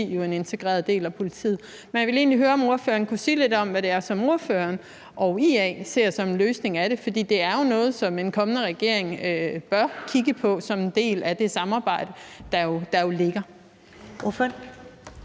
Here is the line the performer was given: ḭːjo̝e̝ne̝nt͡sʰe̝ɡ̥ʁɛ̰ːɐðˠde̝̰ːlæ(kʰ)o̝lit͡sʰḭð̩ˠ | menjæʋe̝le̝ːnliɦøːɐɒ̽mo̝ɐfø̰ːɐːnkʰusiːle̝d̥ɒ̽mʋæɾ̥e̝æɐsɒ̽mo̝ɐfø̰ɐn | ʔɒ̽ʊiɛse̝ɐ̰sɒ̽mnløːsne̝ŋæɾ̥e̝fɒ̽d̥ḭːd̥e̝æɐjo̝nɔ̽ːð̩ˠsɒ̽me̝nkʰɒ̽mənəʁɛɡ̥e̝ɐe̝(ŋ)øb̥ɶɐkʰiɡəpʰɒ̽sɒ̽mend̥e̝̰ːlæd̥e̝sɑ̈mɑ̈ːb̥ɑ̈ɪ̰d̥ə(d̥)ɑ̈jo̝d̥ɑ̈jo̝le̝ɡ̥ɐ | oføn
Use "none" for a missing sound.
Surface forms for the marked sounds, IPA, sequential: pʰ, ŋ, d̥

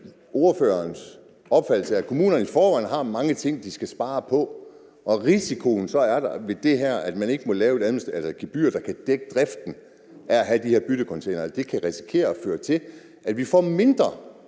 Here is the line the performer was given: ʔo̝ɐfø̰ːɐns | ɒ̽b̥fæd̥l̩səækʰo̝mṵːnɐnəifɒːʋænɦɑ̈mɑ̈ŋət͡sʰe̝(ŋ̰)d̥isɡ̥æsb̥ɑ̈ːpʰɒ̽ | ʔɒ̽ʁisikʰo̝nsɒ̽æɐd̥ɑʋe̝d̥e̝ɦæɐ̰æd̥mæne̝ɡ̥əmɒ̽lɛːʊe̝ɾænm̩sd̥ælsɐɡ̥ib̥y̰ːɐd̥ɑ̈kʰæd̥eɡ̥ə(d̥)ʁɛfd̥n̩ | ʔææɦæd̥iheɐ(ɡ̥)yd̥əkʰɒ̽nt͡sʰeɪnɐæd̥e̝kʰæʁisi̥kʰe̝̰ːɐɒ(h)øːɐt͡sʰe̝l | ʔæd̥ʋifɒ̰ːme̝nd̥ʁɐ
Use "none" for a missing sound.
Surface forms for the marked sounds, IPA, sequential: ŋ̰, d̥, b̥, f

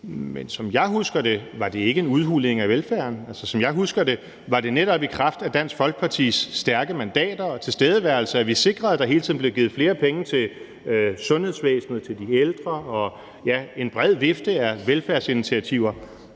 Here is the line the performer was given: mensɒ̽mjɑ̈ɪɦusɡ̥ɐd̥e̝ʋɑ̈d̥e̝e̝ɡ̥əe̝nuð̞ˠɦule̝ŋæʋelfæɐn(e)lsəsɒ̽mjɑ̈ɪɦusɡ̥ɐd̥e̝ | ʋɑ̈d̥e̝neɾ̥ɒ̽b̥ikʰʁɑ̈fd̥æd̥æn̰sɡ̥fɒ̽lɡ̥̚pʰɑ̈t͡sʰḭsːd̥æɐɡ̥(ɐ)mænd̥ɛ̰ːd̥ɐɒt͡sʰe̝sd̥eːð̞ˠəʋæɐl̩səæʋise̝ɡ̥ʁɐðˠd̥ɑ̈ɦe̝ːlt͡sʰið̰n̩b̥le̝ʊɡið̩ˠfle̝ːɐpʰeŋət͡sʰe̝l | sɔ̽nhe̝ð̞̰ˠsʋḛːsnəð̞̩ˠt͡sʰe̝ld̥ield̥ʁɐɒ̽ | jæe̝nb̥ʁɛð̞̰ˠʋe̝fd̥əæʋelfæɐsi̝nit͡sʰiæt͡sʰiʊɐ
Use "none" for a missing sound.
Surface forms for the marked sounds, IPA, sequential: æ, ə

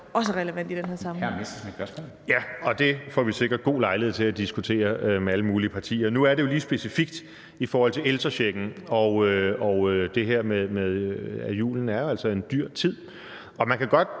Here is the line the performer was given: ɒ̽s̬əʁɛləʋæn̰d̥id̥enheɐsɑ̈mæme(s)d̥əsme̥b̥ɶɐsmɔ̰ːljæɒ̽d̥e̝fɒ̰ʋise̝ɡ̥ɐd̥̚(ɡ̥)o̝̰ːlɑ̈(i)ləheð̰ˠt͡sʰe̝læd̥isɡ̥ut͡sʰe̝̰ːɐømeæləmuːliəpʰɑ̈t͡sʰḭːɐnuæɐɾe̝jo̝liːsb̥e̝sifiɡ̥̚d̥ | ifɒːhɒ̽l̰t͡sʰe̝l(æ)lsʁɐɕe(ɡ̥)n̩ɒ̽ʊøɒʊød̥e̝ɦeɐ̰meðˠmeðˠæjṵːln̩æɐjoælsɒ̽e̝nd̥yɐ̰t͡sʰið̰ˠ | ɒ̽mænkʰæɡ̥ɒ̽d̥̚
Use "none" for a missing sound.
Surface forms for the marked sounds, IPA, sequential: s, ɡ̥, ɪ, e, ɡ̥

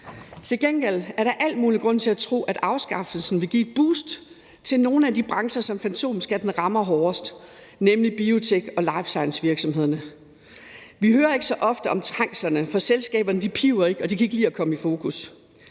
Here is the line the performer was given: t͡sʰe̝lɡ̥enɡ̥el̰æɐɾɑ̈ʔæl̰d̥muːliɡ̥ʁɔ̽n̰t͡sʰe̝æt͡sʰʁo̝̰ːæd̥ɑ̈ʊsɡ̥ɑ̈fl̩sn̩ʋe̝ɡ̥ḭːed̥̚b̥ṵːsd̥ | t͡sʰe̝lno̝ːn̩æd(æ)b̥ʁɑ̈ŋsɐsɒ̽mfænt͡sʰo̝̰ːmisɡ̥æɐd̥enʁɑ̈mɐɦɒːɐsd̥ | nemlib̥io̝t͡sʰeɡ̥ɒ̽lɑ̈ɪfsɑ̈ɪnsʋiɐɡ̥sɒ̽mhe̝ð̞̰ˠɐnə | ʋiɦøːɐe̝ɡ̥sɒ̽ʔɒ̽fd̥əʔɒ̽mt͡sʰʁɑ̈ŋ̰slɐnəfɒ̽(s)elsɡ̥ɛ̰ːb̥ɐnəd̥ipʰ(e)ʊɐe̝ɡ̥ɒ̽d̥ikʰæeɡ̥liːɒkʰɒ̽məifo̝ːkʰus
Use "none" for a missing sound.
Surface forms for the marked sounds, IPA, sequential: i, s, i

